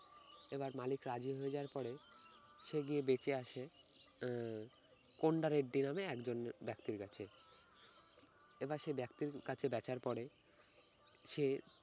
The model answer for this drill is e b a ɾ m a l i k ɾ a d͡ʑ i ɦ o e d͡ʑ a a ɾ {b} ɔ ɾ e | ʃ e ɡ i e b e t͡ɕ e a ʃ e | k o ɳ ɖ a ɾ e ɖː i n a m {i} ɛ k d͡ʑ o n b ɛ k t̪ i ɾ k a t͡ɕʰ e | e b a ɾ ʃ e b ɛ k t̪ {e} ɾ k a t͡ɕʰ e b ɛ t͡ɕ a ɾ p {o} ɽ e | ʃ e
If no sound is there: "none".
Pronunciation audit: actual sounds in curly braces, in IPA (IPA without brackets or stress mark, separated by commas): p, e, i, ɔ